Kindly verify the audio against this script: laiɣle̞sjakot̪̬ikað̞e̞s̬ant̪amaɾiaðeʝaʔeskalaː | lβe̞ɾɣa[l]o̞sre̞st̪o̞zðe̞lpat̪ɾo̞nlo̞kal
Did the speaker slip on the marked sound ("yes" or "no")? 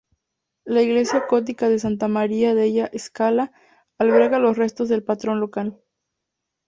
no